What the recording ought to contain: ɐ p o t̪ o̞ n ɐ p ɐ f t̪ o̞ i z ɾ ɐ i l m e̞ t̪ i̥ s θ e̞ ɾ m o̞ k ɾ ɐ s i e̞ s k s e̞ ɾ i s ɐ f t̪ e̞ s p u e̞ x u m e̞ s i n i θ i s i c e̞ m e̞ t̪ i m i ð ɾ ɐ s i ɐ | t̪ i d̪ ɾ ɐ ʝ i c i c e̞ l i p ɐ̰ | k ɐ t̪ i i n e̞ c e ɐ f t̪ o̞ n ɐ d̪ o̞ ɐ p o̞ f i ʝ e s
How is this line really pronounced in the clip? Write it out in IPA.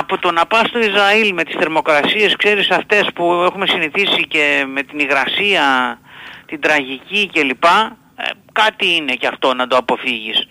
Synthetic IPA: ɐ p o t̪ o̞ n ɐ p ɐ s t̪ o̞ i z ɾ ɐ i l m e̞ t̪ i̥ s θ e̞ ɾ m o̞ k ɾ ɐ s i e̞ s k s e̞ ɾ i s ɐ f t̪ e̞ s p u e̞ x u m e̞ s i n i θ i s i c e̞ m e̞ t̪ i n i ɣ ɾ ɐ s i ɐ | t̪ i d̪ ɾ ɐ ʝ i c i c e̞ l i p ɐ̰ | k ɐ t̪ i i n e̞ c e ɐ f t̪ o̞ n ɐ d̪ o̞ ɐ p o̞ f i ʝ i s